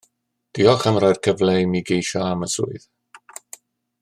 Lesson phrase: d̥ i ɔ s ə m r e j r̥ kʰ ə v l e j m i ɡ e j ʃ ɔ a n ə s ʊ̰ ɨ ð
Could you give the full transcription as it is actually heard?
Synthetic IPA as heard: d̥ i ɔ χ ə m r a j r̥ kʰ ə v l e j m i ɡ e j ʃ ɔ a m ə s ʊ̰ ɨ ð